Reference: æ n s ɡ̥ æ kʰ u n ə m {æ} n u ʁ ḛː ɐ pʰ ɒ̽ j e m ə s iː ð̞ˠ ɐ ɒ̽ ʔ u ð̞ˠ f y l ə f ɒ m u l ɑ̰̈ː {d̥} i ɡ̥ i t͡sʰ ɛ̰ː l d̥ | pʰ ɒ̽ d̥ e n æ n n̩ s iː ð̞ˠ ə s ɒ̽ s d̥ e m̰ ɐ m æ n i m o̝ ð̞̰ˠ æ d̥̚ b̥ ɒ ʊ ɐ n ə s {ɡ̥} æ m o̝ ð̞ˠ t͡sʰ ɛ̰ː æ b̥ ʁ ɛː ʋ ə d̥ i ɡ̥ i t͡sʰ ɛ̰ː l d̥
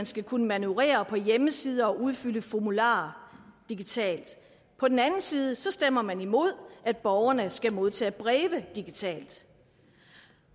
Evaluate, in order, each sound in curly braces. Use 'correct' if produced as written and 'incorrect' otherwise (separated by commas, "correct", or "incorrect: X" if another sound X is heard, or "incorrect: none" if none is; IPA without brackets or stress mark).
correct, correct, correct